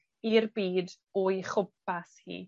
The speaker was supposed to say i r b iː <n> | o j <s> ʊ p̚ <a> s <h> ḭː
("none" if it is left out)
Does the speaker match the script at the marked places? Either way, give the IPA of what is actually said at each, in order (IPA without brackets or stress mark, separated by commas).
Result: d, χ, a, h